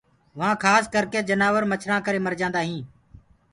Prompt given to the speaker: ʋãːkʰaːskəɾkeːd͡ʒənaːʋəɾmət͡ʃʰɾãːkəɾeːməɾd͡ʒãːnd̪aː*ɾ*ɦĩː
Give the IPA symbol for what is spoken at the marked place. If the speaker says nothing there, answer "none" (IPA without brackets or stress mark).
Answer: none